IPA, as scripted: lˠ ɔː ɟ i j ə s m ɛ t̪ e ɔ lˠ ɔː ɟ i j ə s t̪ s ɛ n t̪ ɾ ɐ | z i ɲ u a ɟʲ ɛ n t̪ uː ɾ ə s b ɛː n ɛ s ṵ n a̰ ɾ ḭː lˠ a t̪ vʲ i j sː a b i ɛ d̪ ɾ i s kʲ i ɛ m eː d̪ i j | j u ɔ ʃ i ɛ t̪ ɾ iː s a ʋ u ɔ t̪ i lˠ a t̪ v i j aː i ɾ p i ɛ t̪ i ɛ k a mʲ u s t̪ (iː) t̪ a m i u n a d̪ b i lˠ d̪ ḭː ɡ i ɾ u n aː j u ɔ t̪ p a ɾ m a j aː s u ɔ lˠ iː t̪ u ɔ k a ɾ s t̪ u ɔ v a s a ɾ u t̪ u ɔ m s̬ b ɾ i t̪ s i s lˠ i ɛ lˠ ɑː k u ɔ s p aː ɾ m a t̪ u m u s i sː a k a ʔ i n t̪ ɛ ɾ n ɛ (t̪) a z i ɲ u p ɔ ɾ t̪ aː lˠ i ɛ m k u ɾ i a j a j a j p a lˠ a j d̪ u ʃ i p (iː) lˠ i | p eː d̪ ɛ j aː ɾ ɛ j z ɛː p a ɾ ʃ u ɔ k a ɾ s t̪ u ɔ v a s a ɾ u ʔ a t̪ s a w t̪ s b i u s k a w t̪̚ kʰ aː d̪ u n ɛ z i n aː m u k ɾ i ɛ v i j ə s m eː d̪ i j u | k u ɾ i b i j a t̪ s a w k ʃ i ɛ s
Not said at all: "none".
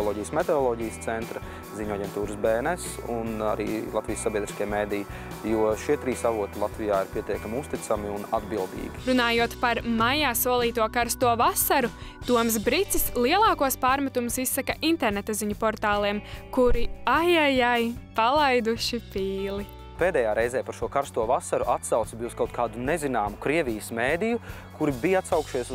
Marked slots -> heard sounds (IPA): i, t̪, iː

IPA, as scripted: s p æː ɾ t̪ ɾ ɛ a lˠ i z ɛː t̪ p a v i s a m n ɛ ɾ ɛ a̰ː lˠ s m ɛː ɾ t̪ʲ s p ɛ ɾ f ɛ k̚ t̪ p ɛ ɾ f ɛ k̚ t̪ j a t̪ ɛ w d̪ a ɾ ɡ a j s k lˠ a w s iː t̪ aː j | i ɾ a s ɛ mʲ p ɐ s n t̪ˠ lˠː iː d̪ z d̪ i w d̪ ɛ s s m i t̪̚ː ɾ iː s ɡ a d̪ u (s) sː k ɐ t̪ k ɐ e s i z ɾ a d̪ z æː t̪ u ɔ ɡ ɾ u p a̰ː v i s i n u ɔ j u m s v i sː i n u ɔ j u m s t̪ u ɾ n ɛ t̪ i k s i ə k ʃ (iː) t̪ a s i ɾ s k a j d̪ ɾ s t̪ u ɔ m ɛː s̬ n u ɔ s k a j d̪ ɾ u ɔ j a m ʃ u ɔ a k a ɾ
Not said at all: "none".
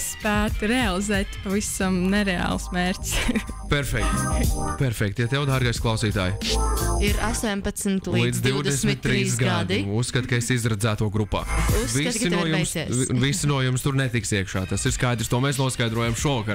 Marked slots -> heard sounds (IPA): s, aː

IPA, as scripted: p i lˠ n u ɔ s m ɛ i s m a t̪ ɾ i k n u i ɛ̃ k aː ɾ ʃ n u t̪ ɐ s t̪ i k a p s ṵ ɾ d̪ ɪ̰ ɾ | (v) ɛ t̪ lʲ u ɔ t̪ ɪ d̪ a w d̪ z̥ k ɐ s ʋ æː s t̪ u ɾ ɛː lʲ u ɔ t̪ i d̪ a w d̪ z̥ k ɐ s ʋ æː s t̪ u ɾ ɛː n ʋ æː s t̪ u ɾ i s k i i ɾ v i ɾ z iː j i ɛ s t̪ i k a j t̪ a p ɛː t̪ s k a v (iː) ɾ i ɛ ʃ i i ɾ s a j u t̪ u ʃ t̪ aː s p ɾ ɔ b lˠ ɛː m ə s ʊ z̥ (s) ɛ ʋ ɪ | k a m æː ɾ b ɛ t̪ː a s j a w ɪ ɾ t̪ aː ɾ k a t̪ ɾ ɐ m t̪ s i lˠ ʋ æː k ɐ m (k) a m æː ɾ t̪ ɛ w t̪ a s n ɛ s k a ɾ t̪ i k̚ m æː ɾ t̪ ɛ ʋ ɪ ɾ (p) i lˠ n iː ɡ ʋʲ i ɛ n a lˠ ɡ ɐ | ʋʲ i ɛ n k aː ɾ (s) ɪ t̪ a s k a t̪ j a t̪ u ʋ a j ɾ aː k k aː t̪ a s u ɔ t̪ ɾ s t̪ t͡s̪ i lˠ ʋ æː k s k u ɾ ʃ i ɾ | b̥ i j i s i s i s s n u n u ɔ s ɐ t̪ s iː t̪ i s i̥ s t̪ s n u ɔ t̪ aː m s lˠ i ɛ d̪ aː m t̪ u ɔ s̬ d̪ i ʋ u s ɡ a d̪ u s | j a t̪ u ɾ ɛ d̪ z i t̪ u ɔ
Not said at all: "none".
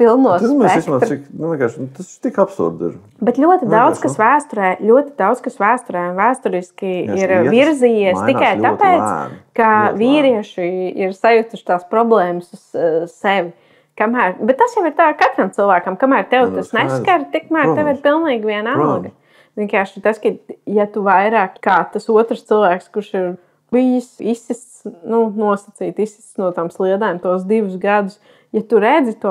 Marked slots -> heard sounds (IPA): b, iː, s, k, p, ʃ

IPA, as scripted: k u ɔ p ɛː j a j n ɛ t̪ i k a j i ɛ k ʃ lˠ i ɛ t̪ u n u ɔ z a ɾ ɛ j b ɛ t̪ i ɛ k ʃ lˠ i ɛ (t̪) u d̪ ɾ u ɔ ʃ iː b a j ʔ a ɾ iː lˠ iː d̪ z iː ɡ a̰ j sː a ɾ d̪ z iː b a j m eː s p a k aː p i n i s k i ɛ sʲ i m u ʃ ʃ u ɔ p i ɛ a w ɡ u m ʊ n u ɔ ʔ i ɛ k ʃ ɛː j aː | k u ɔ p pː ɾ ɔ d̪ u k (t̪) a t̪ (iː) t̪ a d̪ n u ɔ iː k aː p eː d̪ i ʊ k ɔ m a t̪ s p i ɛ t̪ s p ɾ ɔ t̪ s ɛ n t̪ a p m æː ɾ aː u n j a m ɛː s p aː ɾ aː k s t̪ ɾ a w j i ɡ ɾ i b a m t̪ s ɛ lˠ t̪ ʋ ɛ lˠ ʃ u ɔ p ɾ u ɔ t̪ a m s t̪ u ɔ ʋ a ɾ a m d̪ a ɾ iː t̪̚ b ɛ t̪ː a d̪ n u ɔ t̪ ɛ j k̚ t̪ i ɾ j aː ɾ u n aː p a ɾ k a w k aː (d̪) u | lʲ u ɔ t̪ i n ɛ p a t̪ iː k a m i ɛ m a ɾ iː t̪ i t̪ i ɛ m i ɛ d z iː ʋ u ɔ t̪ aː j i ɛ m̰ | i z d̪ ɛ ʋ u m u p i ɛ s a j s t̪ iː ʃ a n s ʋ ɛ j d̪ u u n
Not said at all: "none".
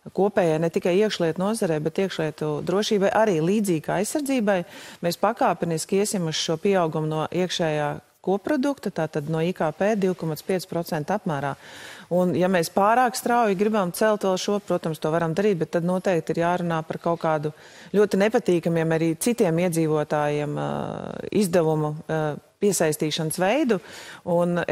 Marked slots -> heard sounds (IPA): t̪, t̪, aː, d̪

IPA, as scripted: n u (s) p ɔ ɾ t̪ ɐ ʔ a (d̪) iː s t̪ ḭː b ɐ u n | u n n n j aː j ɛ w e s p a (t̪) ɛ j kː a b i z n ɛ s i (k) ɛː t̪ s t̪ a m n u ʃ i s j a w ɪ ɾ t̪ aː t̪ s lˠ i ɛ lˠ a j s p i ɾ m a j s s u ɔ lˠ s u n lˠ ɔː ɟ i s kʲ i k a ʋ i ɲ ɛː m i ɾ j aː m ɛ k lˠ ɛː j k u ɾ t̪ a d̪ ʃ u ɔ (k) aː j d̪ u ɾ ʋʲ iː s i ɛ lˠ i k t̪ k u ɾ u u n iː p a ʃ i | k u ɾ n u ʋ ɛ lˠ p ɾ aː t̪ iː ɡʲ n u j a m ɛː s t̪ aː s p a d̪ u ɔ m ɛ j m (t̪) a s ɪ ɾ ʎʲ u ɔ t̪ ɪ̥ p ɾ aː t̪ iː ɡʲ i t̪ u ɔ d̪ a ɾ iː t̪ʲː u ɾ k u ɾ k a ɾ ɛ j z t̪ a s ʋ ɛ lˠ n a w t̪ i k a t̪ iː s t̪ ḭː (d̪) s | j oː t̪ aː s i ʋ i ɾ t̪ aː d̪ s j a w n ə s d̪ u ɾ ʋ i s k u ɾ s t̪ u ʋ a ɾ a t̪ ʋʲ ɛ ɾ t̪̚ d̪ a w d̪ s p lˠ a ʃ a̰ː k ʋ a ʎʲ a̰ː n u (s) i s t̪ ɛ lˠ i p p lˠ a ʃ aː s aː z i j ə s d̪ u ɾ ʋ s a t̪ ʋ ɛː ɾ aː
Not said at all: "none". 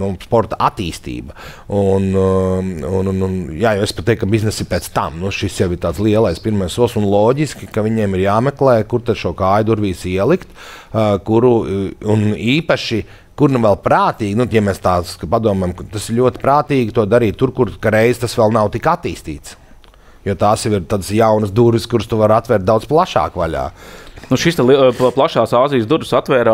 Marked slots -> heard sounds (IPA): s, t̪, t̪, p, k, t̪, t̪, ʃ

